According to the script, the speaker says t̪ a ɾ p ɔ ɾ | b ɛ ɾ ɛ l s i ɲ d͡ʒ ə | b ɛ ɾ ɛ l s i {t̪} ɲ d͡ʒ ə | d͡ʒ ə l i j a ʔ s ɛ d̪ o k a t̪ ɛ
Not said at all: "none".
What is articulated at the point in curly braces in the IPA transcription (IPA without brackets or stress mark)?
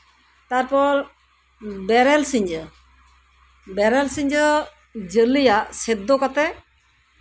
none